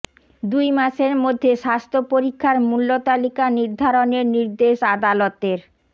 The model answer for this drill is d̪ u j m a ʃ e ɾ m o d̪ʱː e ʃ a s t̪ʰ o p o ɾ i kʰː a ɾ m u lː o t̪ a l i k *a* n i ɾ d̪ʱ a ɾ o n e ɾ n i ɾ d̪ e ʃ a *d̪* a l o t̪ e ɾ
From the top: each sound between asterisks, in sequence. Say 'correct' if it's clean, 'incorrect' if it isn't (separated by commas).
correct, correct